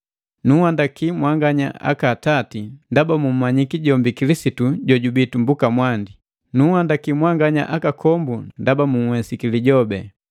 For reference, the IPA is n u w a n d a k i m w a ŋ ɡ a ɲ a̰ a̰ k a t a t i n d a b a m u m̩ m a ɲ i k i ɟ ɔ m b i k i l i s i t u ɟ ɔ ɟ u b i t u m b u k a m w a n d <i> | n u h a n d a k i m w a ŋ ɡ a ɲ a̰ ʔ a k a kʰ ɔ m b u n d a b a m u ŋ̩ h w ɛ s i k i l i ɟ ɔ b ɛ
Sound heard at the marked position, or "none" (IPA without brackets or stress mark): i